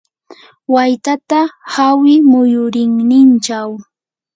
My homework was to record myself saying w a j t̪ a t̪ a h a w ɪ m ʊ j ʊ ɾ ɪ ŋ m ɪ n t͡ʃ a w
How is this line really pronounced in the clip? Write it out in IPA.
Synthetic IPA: w a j t̪ a t̪ a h a w ɪ m ʊ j ʊ ɾ ɪ ŋ n ɪ n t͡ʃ a w

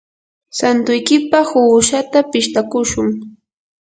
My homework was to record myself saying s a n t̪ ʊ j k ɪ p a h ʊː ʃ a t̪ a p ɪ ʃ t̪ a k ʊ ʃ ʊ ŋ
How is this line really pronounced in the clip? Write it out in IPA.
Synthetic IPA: s a n t̪ ʊ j k ɪ p a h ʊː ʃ a t̪ a p ɪ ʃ t̪ a k ʊ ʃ ʊ ŋ

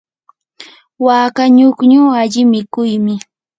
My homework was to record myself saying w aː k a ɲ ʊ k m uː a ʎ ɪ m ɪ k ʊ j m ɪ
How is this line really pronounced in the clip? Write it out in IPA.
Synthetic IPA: w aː k a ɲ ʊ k ɲ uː a ʎ ɪ m ɪ k ʊ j m ɪ

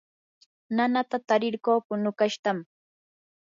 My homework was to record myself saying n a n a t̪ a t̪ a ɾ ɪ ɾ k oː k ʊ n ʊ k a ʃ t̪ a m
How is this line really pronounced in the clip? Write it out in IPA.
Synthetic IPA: n a n a t̪ a t̪ a ɾ ɪ ɾ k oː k ʊ n ʊ k a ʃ t̪ a m

